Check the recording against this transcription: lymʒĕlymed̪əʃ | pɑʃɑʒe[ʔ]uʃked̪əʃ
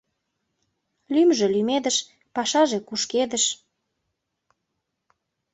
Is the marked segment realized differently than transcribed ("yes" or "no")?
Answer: yes